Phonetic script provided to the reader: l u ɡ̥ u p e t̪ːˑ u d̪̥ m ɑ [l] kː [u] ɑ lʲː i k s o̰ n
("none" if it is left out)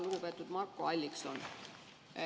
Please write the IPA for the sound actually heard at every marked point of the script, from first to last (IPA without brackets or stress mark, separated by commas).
r, o